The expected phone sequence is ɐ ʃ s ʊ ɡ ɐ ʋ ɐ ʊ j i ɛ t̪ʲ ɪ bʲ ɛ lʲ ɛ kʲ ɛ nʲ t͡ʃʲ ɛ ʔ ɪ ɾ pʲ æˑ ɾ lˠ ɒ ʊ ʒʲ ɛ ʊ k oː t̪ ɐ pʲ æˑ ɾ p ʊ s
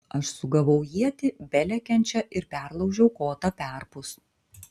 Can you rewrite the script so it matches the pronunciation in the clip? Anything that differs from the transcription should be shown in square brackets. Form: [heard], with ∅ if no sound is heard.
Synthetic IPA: ɐ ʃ s ʊ ɡ ɐ ʋ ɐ ʊ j i ɛ t̪ʲ ɪ bʲ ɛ lʲ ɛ kʲ ɛ nʲ t͡ʃʲ ɛ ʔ ɪ ɾ pʲ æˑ ɾ lˠ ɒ ʊ ʒʲ ɛ ʊ k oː t̪ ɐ pʲ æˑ ɾ p ʊ s